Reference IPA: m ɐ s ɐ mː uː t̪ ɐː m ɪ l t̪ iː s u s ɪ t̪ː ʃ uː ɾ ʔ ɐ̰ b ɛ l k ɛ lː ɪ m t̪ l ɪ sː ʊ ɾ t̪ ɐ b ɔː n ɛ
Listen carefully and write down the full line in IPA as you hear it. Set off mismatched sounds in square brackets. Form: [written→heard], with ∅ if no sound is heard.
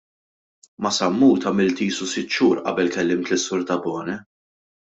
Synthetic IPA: m ɐ s ɐ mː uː t̪ [ɐː→ɐ] m ɪ l t̪ iː s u s ɪ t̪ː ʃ uː ɾ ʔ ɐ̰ b ɛ l k ɛ lː ɪ m t̪ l ɪ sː ʊ ɾ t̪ ɐ b ɔː n ɛ